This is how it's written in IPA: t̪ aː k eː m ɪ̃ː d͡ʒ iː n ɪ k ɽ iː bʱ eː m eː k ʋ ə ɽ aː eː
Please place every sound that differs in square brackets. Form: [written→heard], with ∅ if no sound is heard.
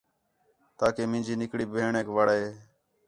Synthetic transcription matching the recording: t̪ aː k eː m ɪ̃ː d͡ʒ iː n ɪ k ɽ iː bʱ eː [m→ɳ] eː k ʋ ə ɽ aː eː